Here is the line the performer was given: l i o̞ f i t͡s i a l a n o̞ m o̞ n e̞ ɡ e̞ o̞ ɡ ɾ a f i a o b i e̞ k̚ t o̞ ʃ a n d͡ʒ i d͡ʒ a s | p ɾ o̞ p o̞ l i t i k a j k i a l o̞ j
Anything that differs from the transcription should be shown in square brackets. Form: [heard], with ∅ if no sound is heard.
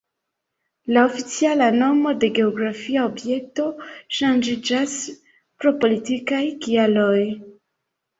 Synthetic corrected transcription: l [a] o̞ f i t͡s i a l a n o̞ m o̞ [d] e̞ ɡ e̞ o̞ ɡ ɾ a f i a o b [j] e̞ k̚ t o̞ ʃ a n d͡ʒ i d͡ʒ a s | p ɾ o̞ p o̞ l i t i k a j k i a l o̞ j